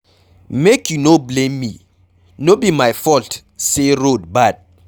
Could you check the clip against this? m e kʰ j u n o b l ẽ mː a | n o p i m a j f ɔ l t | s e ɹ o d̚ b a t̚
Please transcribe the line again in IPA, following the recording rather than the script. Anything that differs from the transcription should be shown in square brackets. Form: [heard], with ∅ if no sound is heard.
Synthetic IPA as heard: m e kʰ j u n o b l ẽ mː [i] | n o [b] i m a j f ɔ l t | s e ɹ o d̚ b a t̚